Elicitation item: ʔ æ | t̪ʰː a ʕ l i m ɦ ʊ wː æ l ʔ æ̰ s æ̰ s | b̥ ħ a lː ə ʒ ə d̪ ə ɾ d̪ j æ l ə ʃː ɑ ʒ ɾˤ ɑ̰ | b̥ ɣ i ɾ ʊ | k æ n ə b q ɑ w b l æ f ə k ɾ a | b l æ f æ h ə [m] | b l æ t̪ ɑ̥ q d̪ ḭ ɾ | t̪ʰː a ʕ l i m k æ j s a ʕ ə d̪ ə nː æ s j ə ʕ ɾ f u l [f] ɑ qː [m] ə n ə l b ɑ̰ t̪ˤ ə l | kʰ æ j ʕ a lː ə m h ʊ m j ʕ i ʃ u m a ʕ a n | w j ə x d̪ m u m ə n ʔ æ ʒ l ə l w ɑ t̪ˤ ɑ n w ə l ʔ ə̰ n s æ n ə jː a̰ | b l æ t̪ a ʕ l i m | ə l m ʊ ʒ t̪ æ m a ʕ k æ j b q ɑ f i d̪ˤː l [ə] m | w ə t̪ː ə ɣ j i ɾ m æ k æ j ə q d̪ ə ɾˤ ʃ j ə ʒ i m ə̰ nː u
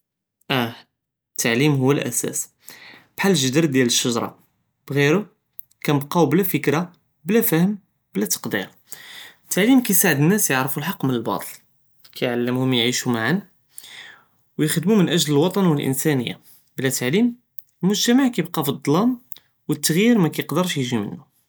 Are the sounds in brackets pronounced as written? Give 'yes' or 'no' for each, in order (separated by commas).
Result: yes, no, yes, no